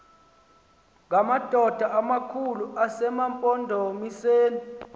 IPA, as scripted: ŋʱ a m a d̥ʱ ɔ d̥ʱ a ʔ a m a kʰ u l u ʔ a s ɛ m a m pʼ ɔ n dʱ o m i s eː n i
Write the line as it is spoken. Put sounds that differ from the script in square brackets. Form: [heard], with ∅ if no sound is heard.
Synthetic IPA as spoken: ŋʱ a m a d̥ʱ ɔ d̥ʱ a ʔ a m a kʰ u l u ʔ a s ɛ m a m pʼ ɔ n dʱ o m i s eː n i